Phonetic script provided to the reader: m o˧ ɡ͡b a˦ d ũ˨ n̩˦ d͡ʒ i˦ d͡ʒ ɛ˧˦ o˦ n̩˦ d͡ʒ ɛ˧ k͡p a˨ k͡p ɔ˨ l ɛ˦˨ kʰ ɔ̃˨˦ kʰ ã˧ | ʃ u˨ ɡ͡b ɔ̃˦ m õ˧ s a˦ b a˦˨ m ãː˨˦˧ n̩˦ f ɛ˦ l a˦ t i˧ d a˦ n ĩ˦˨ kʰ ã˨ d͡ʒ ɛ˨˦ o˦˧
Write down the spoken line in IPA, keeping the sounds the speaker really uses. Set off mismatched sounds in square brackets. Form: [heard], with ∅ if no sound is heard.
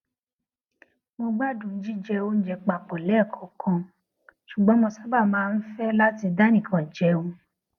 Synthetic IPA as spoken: m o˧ ɡ͡b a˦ d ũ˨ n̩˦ d͡ʒ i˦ d͡ʒ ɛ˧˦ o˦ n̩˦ d͡ʒ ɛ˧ k͡p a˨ k͡p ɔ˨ l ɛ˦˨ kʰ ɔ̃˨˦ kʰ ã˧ | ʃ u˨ ɡ͡b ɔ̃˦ m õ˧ s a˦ b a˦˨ m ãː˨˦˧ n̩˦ f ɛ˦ l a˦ t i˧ d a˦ n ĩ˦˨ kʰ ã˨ d͡ʒ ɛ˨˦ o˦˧